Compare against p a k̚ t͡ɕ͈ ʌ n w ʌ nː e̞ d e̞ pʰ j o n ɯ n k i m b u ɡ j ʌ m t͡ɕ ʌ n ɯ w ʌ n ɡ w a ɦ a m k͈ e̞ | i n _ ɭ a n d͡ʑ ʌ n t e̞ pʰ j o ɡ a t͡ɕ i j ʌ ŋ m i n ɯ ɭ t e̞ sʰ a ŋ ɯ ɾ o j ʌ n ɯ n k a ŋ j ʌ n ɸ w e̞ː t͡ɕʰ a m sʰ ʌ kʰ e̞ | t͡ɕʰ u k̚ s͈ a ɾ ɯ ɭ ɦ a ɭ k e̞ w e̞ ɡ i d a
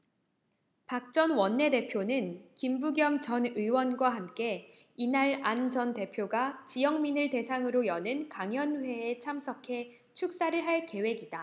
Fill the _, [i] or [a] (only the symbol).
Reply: a